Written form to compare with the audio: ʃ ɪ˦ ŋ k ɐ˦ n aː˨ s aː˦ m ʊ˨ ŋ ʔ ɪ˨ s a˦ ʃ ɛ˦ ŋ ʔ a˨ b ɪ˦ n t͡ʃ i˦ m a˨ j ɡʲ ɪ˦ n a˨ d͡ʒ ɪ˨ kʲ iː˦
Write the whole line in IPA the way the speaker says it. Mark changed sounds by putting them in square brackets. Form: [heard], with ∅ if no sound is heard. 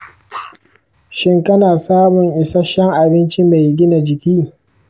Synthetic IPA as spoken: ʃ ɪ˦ ŋ k ɐ˦ n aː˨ s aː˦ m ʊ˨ ŋ ʔ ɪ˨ s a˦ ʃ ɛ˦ ŋ ʔ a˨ b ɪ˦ n t͡ʃ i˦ m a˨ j ɡʲ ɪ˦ n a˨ d͡ʒ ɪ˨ kʲ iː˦